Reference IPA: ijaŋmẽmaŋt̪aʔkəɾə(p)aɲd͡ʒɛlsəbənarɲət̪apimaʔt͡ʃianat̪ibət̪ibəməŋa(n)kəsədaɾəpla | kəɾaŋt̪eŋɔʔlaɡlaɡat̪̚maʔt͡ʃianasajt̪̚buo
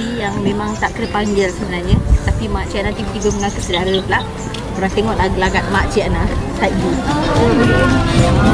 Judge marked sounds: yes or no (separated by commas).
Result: yes, no